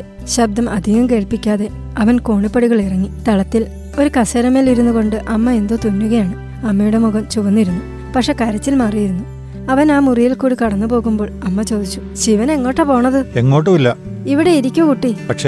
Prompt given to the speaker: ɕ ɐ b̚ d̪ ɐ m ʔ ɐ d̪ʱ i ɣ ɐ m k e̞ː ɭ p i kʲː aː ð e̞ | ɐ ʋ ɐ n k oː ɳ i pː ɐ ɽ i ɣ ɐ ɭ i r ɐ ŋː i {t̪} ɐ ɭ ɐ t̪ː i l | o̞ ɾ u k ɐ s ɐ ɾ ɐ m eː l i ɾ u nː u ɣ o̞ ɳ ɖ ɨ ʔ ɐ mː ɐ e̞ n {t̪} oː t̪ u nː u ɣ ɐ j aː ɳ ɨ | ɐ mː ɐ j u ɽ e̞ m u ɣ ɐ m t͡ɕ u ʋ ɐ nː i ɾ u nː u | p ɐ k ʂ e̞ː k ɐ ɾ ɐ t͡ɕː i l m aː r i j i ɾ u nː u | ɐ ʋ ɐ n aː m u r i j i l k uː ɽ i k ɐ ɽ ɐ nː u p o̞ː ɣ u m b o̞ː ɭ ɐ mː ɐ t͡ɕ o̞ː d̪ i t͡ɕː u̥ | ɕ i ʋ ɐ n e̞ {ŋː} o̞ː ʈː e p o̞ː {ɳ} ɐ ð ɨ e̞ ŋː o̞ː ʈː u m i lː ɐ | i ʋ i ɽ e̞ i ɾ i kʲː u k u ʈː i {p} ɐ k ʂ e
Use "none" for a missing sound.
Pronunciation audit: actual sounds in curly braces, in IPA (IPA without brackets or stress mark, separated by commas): t̪, d̪, ŋː, ɳ, p